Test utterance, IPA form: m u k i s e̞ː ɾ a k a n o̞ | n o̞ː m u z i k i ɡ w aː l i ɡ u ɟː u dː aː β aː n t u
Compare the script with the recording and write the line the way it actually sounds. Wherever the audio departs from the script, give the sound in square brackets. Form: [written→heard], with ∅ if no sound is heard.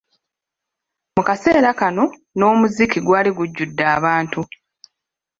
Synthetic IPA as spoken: m u k [i→a] s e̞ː ɾ a k a n o̞ | n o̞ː m u z i k i ɡ w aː l i ɡ u ɟː u dː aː β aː n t u

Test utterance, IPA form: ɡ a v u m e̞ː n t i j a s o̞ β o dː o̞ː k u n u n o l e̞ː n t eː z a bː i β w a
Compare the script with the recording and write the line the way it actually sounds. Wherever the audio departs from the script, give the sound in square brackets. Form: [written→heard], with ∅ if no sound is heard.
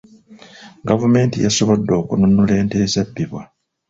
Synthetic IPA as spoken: ɡ a v u m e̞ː n t i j a s o̞ β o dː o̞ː k u n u n [o→u] l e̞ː n t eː z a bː i β w a

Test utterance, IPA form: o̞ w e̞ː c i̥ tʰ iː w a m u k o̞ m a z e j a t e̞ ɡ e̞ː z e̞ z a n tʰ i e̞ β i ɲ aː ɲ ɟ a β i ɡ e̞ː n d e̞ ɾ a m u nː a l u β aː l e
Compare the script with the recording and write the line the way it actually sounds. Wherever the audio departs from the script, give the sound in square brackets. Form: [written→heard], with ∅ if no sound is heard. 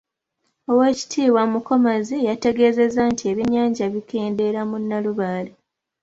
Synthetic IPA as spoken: o̞ w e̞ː c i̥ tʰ iː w a m u k o̞ m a z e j a t e̞ ɡ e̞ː z e̞ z a n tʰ i e̞ β i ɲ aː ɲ ɟ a β i [ɡ→k] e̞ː n d e̞ ɾ a m u nː a l u β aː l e

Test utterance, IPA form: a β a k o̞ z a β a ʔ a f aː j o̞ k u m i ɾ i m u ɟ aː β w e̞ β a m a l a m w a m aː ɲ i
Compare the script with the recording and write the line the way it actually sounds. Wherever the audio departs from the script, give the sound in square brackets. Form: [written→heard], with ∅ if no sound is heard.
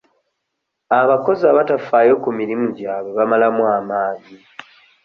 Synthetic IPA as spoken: a β a k o̞ z a β a [ʔ→t] a f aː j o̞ k u m i ɾ i m u ɟ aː β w e̞ β a m a l a m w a m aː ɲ i

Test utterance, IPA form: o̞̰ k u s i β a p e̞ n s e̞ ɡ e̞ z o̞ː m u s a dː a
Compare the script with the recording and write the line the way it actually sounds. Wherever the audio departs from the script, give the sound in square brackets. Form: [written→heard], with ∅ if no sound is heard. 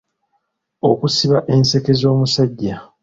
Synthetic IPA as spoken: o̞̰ k u s i β a [p→ʔ] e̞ n s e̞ [ɡ→k] e̞ z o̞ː m u s a [dː→ɟː] a

